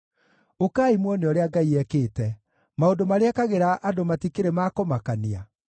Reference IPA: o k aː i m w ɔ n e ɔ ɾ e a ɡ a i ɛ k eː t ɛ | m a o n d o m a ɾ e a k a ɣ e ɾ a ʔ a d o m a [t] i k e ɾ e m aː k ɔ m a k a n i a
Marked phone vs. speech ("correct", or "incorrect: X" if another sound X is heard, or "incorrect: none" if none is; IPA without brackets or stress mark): correct